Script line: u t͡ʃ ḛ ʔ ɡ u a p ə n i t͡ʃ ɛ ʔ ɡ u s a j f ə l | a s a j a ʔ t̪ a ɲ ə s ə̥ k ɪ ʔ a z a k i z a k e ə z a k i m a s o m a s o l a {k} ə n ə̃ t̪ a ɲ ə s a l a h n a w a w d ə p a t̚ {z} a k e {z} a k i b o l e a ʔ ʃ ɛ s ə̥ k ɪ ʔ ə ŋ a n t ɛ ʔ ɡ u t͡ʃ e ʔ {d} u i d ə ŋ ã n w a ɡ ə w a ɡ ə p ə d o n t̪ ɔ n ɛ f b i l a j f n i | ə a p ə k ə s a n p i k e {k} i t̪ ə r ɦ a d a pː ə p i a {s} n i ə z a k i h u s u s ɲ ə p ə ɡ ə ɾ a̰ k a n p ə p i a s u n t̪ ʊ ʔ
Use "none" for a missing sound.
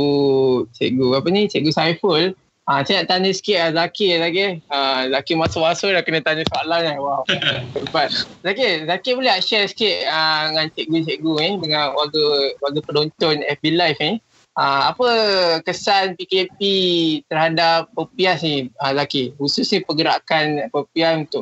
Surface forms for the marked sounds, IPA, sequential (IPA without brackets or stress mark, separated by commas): k, z, z, ɡ, p, s